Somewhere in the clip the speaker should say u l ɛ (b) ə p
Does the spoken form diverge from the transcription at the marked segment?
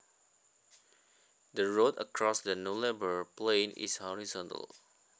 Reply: no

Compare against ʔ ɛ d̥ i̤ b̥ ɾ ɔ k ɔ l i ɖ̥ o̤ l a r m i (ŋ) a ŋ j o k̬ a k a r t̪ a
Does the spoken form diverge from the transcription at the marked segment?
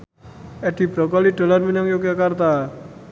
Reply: yes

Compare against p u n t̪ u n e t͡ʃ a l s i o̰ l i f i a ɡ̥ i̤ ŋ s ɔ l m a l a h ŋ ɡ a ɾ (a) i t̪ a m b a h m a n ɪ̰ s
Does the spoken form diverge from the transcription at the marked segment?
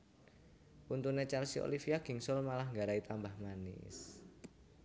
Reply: no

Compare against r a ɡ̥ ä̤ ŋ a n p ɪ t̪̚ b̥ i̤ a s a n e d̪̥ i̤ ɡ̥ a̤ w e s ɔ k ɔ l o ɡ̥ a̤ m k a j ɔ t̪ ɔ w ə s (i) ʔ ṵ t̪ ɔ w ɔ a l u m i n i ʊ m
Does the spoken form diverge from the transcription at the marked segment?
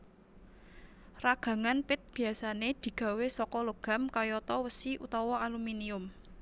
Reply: no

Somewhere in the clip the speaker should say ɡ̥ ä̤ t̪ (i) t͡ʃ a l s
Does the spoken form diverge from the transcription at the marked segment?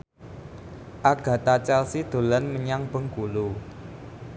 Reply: yes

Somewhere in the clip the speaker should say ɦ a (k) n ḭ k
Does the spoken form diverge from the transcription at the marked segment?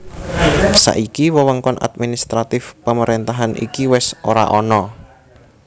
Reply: yes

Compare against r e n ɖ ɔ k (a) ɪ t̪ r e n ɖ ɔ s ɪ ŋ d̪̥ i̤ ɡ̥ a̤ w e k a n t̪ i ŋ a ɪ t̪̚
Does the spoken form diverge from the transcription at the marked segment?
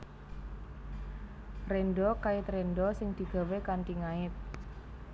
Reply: no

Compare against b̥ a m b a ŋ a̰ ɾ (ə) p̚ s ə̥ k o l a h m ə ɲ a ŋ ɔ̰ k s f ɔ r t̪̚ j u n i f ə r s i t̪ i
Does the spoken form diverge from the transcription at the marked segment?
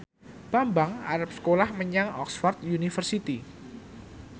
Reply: yes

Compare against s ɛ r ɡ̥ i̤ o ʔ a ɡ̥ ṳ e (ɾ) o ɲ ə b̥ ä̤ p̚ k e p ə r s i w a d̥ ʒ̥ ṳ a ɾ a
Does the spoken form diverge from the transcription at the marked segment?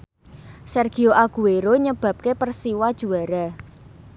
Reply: no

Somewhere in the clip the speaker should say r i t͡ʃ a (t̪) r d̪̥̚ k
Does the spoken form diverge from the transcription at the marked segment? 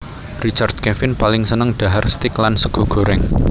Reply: yes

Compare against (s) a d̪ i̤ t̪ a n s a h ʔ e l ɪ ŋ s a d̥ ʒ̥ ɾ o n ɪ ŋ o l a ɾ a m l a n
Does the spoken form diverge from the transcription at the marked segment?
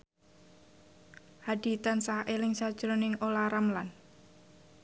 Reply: yes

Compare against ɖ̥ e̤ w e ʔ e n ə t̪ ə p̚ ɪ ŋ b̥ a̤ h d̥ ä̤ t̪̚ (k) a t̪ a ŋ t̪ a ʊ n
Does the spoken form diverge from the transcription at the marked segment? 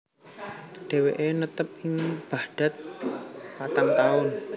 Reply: yes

